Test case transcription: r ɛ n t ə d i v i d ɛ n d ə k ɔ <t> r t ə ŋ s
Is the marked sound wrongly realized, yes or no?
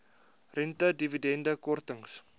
yes